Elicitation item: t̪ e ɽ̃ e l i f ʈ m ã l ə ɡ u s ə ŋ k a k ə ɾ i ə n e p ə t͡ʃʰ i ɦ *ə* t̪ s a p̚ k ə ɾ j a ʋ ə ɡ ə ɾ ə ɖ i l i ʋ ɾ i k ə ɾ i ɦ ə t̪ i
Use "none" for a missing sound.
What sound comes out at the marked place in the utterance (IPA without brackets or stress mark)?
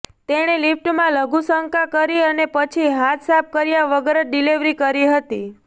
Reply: a